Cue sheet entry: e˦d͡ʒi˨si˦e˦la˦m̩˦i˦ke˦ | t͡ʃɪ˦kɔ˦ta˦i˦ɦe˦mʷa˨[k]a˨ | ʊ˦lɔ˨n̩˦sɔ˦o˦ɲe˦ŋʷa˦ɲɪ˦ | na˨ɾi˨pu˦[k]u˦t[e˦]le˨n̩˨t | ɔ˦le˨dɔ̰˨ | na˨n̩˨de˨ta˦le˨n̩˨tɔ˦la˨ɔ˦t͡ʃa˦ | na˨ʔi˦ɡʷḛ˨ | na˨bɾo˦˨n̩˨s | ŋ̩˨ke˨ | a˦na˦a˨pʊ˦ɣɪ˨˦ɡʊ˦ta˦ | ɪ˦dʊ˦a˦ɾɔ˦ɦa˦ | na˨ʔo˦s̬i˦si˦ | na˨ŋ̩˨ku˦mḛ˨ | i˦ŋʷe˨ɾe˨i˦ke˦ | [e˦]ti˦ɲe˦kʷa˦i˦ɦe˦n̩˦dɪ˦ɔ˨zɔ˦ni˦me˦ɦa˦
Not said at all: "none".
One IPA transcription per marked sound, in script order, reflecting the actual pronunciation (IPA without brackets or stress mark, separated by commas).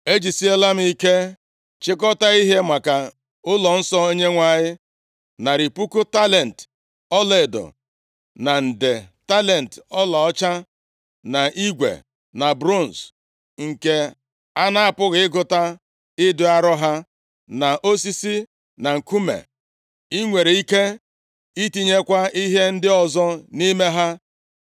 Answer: k, k, a˦, i˦